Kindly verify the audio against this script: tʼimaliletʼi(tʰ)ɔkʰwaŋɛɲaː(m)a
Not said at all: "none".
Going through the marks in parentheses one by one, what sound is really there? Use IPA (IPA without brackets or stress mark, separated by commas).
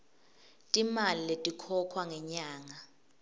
kʰ, ŋ